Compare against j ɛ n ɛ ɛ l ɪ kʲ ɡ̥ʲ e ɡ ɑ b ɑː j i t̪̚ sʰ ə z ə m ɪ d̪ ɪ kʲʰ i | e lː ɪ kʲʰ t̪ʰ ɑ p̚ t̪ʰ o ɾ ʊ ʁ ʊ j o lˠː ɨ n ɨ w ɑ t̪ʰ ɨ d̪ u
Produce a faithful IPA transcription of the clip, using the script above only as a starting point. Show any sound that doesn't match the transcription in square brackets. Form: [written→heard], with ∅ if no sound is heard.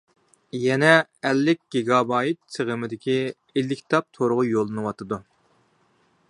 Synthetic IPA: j ɛ n ɛ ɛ [l→lː] ɪ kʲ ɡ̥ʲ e ɡ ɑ b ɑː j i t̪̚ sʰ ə [z→ʁ] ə m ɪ d̪ ɪ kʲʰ i | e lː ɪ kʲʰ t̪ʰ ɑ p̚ t̪ʰ o ɾ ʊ ʁ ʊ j o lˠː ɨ n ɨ w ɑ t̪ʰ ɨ d̪ u